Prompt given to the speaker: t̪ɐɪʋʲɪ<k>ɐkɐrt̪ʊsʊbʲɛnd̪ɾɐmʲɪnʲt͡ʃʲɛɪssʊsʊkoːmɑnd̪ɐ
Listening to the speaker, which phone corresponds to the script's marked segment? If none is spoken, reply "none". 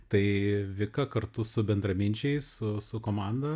k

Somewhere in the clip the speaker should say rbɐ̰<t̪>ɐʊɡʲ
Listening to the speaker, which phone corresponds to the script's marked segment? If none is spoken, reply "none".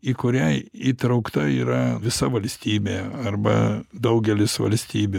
d̪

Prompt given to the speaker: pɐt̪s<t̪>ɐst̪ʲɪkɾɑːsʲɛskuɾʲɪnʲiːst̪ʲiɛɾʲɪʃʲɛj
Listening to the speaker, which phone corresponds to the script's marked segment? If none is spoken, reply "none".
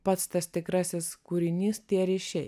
t̪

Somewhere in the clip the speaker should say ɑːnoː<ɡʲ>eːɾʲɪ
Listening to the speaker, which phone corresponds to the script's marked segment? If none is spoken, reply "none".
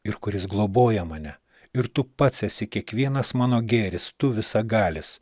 ɡʲ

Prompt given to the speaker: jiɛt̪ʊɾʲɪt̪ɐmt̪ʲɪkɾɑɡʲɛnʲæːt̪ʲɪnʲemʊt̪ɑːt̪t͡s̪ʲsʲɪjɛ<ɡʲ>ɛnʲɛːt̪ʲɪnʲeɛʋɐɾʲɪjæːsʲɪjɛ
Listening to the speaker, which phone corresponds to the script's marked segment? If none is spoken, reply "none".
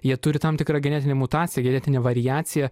ɡʲ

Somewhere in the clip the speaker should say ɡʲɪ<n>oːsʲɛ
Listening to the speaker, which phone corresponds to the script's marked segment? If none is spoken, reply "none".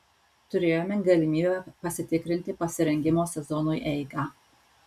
m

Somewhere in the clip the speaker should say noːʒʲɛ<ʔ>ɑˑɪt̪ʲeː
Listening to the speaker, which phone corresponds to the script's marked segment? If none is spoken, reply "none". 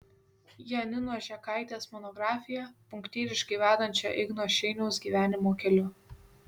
k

